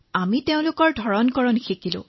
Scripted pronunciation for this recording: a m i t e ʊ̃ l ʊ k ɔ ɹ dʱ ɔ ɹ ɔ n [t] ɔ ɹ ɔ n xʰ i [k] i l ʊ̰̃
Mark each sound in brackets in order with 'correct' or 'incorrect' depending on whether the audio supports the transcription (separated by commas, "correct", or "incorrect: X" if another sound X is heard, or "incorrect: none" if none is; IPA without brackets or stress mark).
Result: incorrect: k, correct